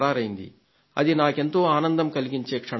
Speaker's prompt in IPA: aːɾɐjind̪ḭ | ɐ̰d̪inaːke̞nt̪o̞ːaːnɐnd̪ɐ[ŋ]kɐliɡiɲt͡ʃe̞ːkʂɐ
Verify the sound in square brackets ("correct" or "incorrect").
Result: incorrect